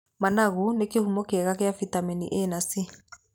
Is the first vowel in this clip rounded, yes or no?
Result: no